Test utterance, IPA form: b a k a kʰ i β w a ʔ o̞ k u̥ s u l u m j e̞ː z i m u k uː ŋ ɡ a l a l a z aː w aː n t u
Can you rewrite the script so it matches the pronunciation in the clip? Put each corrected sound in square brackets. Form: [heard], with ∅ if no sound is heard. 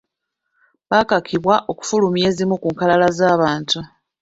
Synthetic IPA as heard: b a k a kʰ i β w a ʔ o̞ k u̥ [f] u l u m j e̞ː z i m u k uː ŋ [k] a l a l a z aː [β] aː n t u